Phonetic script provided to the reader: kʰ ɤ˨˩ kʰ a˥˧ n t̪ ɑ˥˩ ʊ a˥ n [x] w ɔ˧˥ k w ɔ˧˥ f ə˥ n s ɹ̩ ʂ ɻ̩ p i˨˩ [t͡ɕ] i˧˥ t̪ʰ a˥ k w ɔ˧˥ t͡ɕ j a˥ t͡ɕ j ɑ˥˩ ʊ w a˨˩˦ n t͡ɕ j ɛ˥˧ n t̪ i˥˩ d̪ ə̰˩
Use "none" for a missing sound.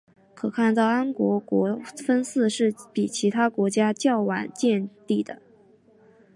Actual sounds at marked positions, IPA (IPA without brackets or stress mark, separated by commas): k, t͡ɕʰ